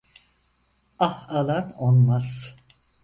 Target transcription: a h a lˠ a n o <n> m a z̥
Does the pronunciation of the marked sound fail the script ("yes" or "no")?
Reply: no